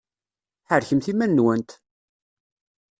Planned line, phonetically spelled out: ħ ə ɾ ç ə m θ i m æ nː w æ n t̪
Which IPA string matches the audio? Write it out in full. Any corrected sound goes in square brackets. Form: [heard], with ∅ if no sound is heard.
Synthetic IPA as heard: ħ ə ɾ ç ə m θ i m æ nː w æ n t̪